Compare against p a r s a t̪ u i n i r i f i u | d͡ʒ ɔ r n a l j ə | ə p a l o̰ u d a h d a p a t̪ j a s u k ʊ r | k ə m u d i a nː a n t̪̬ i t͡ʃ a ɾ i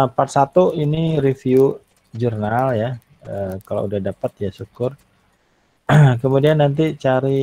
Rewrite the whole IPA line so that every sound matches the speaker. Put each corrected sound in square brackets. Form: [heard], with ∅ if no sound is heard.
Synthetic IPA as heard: p a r s a t̪ u i n i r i f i u | d͡ʒ [u] r n a l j [a] | ə [k] a l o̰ u d a h d a p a t̪ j a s u k ʊ r | k ə m u d i a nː a n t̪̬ i t͡ʃ a ɾ i